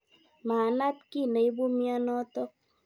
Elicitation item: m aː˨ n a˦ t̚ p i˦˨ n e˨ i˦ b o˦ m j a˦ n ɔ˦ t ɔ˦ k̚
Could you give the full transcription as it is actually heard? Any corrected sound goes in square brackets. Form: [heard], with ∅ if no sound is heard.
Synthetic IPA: m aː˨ n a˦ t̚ [k] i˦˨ n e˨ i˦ b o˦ m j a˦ n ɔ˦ t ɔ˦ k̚